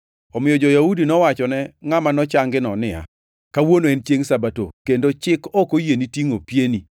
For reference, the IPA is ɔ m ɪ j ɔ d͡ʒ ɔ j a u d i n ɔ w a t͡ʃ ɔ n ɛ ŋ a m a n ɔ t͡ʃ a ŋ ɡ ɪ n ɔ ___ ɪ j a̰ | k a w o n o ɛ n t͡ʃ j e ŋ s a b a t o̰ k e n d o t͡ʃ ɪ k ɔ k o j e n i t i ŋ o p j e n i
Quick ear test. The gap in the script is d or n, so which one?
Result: n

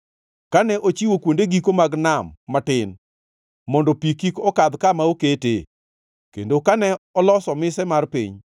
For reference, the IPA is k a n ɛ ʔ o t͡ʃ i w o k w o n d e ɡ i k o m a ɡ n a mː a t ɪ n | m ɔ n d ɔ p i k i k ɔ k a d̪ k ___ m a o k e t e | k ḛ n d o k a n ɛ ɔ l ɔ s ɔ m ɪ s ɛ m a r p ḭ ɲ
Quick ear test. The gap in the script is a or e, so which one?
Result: a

